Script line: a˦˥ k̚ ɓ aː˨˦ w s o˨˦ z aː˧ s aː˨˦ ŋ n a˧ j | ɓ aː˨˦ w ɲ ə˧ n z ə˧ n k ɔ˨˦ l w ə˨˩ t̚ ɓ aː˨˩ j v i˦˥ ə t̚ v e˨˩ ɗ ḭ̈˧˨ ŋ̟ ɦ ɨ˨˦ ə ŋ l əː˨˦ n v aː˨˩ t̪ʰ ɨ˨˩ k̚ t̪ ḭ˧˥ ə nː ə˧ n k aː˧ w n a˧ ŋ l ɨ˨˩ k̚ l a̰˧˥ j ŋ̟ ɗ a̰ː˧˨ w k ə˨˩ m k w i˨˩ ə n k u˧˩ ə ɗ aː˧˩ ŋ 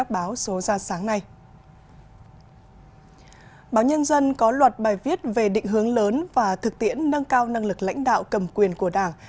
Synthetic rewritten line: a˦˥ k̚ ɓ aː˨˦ w s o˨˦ z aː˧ s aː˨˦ ŋ n a˧ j | ɓ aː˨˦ w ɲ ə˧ n z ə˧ n k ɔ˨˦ l w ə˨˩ t̚ ɓ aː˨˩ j v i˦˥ ə t̚ v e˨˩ ɗ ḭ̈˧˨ ŋ̟ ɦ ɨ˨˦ ə ŋ l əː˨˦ n v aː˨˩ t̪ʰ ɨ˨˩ k̚ t̪ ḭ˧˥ ə nː ə˧ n k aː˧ w n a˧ ŋ l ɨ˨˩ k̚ l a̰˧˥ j ŋ̟ ɗ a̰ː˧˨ w k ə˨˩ m k w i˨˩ ə n k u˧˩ ə ɗ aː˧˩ ŋ